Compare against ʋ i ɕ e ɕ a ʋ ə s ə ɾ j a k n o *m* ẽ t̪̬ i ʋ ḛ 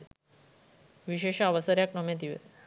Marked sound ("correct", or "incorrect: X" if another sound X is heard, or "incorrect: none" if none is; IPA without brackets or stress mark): correct